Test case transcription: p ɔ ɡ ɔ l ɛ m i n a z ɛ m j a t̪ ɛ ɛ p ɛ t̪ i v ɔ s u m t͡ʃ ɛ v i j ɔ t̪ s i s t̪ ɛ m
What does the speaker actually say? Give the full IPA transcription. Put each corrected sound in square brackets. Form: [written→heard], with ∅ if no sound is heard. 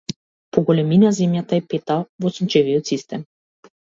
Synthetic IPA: p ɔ ɡ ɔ l ɛ m i n a z ɛ m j a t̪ [ɛ→a] ɛ p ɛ t̪ [i→a] v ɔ s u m t͡ʃ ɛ v i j ɔ t̪ s i s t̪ ɛ m